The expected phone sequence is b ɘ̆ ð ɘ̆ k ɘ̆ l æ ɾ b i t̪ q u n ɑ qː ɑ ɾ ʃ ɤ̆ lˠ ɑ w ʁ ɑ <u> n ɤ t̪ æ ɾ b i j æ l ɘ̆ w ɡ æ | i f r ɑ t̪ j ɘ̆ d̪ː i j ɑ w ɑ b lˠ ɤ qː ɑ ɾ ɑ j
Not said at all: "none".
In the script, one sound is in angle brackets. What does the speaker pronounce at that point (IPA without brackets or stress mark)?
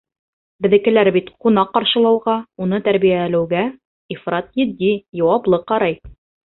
u